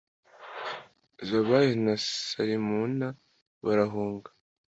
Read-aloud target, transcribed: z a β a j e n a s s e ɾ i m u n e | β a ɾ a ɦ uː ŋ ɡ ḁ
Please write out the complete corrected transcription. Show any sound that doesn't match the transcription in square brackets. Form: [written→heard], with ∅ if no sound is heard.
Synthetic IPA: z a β a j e n a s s [e→a] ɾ i m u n [e→a] | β a ɾ a ɦ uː ŋ ɡ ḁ